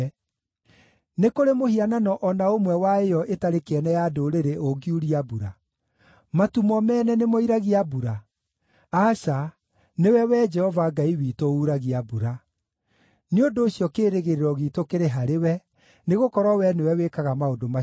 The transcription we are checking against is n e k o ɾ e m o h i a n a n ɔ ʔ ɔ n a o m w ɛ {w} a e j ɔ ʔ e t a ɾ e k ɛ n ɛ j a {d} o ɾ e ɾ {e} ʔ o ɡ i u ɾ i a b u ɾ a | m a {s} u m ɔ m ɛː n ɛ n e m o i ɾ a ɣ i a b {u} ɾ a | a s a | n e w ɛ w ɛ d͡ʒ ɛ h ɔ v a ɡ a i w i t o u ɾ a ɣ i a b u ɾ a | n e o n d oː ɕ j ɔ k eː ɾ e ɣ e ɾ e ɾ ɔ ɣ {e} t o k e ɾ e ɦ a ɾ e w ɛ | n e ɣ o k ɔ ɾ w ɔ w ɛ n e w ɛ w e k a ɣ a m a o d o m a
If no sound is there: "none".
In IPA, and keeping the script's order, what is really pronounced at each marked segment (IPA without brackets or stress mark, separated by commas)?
w, d, e, t, u, i